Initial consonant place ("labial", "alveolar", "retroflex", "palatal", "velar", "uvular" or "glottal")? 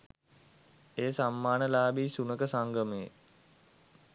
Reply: alveolar